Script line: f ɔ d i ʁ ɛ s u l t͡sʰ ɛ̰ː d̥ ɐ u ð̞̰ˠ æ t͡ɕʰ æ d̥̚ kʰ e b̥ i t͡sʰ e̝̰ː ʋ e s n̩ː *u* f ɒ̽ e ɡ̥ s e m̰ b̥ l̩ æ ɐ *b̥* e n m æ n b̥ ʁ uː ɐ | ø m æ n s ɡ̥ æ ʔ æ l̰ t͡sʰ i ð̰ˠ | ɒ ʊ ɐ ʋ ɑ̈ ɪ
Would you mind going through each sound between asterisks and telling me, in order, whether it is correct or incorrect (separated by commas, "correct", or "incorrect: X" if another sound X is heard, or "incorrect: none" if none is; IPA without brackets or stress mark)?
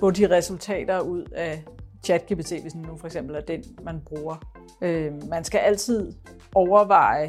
correct, incorrect: d̥